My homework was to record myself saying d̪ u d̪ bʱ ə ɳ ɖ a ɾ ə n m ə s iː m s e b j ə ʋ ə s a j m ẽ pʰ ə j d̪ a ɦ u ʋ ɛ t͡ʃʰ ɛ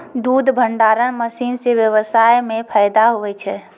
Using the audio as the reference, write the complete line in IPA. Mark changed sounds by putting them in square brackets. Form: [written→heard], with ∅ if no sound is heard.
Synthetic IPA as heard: d̪ u d̪ bʱ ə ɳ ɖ a ɾ ə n m ə s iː [m→n] s e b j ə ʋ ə s a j m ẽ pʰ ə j d̪ a ɦ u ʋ ɛ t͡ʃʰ ɛ